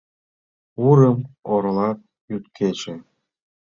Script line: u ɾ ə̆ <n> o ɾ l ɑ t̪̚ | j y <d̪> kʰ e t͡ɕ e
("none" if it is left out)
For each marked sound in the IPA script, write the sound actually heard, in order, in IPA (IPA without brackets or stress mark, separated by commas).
m, t̪